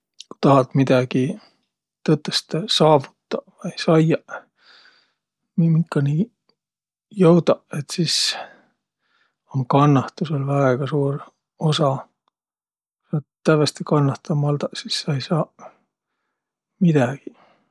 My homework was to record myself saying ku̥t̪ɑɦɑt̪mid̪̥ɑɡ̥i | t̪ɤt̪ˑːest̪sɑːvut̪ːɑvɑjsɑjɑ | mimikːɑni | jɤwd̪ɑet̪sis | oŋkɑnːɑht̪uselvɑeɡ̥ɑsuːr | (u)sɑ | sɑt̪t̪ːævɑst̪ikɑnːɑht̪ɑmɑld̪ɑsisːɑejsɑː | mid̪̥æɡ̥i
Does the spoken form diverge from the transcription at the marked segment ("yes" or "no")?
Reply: yes